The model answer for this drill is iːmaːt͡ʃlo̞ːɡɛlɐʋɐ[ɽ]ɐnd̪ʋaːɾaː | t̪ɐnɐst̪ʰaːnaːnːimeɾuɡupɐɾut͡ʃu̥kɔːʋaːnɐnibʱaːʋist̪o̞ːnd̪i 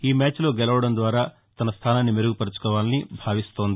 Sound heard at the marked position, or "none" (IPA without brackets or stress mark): ɽ